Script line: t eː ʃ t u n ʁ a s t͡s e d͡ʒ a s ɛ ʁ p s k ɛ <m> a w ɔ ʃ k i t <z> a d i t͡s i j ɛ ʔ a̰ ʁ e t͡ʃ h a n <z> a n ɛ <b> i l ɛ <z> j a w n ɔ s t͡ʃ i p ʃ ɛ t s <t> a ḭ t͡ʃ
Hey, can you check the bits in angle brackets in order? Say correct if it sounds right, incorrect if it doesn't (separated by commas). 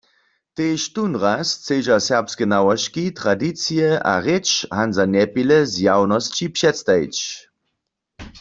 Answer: incorrect, incorrect, correct, incorrect, correct, correct